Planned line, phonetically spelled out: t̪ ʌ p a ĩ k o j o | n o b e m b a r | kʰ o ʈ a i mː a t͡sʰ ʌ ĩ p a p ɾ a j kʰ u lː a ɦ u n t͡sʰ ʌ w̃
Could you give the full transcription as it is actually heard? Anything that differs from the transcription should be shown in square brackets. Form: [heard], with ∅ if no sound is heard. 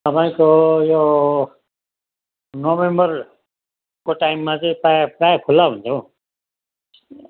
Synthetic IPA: t̪ ʌ p a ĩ k o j o | n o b e m b [ʌ] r | [k] o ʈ a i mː a [t͡s] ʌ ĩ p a p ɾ a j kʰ u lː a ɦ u n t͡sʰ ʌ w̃